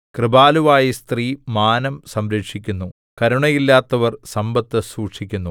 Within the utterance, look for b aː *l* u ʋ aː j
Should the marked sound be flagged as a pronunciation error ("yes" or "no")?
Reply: no